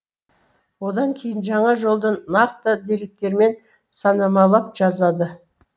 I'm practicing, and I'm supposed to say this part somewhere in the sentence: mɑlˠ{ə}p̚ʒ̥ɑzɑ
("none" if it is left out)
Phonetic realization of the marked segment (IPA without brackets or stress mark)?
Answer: ɑ